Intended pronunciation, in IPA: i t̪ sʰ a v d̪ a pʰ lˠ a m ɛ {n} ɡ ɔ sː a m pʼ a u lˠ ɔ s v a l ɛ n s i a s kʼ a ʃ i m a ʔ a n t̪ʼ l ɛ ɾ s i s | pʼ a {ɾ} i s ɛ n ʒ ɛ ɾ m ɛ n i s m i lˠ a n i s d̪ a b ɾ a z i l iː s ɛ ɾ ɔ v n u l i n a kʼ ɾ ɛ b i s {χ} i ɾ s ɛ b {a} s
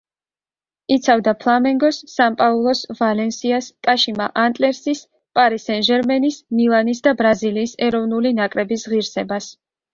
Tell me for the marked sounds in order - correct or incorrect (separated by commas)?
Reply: incorrect, correct, incorrect, correct